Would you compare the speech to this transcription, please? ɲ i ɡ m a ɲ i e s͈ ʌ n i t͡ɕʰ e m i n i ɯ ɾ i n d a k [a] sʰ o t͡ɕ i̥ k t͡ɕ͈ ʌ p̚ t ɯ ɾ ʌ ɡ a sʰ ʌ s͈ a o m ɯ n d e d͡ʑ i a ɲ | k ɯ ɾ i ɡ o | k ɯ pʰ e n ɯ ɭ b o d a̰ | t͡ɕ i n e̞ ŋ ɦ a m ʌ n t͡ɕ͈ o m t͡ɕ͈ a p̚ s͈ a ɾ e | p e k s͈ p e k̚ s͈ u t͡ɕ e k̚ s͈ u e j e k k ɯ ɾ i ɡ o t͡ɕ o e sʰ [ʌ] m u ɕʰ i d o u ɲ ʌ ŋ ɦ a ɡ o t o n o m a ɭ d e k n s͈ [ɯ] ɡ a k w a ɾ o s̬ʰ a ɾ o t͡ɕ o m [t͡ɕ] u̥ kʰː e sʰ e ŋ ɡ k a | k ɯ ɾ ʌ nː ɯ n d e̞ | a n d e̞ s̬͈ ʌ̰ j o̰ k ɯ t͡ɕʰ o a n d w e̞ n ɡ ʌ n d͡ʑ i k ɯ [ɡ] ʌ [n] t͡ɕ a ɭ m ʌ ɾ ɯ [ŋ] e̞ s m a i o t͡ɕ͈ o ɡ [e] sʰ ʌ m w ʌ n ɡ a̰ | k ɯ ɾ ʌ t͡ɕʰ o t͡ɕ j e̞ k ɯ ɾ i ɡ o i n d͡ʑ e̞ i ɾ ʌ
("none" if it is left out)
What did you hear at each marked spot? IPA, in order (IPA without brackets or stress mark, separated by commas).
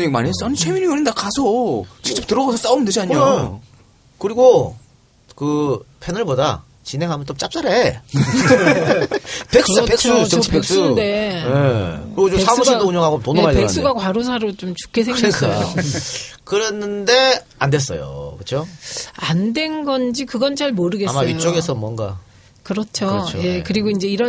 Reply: a, a, u, t͡ɕ, ɡ, n, ɡ, e